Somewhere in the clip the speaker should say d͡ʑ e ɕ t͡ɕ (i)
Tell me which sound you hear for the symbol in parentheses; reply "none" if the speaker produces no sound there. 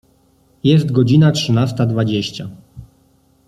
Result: a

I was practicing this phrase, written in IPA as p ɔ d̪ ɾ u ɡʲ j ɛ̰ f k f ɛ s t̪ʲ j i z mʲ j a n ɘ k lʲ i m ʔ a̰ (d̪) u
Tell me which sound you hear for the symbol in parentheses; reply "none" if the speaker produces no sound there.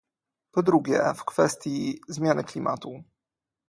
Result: t̪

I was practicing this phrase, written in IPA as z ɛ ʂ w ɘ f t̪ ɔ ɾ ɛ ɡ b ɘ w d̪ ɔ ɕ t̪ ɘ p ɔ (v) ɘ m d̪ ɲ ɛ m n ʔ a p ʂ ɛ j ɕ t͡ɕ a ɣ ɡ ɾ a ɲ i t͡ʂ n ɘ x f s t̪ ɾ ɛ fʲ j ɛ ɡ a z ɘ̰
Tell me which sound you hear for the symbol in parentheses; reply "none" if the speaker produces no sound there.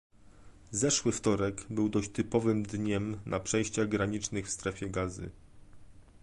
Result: v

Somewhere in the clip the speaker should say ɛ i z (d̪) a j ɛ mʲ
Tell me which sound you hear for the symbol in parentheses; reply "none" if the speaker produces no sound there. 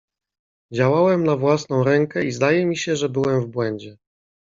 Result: d̪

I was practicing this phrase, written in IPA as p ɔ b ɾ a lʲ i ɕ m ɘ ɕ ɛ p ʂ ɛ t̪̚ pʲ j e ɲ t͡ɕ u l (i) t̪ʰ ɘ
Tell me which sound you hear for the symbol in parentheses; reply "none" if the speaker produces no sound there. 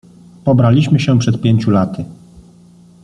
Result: a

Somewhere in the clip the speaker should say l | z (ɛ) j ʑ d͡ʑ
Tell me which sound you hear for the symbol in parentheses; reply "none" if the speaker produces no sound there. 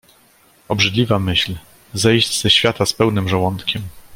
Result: ɛ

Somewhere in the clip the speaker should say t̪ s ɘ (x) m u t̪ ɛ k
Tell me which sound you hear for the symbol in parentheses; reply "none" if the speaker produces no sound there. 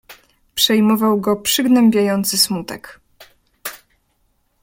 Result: s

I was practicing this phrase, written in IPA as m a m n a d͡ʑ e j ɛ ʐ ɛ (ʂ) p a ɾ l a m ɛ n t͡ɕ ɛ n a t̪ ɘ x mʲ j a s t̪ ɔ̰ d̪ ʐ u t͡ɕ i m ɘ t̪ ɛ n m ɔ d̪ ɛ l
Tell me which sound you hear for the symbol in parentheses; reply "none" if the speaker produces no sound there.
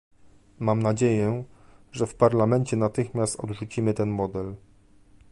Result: f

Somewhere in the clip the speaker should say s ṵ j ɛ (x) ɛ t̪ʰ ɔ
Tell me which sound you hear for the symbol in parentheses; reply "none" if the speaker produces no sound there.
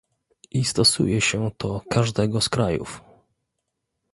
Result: ɕ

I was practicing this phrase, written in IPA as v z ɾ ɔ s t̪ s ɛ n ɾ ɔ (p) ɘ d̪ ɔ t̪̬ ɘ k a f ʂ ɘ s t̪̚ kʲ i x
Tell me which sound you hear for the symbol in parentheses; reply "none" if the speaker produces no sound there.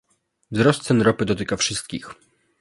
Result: p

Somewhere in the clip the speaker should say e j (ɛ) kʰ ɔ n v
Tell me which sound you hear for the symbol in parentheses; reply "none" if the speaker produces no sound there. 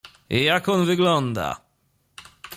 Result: a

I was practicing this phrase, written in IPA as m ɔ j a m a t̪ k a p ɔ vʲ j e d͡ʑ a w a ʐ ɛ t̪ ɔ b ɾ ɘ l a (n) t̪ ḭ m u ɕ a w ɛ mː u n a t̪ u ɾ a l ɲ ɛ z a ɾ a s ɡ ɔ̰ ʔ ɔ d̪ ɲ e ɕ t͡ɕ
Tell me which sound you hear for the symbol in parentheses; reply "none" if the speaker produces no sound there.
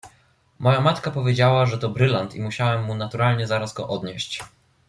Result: n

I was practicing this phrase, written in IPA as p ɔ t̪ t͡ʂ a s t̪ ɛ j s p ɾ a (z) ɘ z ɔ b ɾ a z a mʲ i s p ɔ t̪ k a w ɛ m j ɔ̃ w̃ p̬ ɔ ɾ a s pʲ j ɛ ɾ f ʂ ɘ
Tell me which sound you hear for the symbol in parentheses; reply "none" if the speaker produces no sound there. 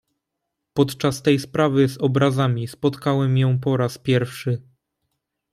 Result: v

